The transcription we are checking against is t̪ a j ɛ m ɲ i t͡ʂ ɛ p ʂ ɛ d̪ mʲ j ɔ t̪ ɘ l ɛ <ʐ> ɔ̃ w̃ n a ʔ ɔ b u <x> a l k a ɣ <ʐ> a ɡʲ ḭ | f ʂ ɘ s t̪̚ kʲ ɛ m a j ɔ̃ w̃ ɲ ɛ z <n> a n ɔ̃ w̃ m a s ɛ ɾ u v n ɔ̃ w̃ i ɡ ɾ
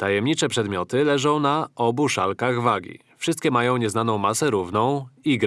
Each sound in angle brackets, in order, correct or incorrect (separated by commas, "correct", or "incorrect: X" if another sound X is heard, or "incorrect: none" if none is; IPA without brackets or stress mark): correct, incorrect: ʂ, incorrect: v, correct